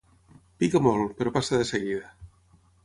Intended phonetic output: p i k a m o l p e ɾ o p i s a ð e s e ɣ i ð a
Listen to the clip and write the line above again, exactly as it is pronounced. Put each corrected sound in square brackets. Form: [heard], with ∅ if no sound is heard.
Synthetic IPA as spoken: p i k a m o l p e ɾ o p [a] s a ð e s e ɣ i ð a